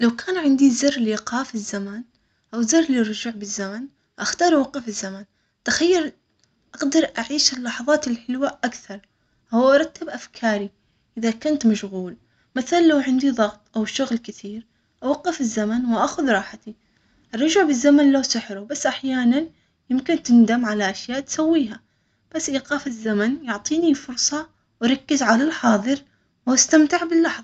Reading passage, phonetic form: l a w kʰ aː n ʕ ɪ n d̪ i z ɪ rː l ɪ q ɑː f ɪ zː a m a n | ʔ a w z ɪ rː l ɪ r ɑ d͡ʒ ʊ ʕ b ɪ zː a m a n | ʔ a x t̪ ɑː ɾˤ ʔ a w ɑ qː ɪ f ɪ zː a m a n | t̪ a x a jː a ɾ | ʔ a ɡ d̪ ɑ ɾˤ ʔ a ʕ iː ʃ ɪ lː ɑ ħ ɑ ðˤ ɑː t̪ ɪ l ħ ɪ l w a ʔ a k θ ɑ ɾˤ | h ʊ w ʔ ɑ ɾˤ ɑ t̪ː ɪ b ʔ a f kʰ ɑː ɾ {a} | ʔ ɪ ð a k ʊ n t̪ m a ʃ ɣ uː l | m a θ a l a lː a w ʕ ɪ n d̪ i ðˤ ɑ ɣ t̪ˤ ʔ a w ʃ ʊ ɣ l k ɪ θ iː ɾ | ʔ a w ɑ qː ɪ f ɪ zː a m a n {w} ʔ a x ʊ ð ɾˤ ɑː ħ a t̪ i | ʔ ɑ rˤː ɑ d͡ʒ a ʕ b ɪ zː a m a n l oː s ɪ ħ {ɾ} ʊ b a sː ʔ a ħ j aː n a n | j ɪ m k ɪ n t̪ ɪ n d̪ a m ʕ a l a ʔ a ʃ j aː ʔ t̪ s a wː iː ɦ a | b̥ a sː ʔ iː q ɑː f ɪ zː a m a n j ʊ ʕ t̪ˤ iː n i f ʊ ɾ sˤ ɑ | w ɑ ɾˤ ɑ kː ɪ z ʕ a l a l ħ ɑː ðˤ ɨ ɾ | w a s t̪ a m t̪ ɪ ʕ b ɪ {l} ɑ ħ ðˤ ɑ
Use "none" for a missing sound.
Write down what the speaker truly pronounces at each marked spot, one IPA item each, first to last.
i, w, ɾ, lː

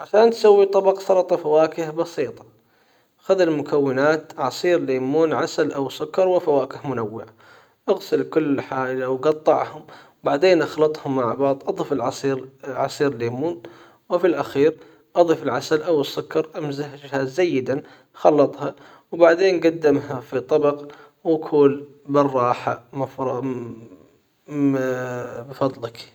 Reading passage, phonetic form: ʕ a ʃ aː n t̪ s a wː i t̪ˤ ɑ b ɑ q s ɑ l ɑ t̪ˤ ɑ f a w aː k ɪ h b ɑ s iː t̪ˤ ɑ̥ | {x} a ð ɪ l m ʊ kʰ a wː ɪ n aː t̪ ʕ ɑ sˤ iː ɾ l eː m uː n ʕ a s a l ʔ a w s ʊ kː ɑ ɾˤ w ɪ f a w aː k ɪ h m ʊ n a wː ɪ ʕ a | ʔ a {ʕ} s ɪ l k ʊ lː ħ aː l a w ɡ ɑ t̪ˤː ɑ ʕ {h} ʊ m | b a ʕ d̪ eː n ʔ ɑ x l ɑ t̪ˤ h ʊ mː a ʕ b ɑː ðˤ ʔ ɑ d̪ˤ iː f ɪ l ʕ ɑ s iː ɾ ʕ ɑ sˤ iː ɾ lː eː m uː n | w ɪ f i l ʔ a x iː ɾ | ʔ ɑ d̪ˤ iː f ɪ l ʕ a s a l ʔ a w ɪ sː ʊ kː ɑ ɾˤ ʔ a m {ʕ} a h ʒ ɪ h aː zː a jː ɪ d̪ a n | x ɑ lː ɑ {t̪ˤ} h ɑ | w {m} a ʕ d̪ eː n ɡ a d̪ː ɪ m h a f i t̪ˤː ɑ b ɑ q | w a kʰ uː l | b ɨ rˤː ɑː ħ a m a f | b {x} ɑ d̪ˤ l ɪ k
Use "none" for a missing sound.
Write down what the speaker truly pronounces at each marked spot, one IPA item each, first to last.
x, ɣ, h, z, t̪ˤ, b, f

